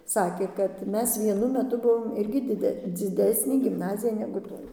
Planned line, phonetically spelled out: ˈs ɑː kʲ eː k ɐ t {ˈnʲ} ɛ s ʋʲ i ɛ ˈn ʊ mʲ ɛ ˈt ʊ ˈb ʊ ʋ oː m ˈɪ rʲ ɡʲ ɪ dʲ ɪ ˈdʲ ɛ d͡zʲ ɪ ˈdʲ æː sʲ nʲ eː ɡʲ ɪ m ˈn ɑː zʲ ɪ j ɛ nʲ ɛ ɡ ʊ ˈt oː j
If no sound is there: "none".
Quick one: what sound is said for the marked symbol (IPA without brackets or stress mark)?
mʲ